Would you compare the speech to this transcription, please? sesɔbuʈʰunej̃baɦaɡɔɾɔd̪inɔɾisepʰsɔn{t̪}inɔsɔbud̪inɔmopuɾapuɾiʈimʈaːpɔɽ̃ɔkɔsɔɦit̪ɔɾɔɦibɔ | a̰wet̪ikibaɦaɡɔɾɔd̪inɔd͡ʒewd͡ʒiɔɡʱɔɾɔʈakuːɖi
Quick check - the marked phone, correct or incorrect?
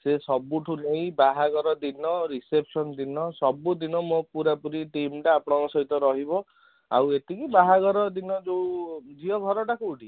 incorrect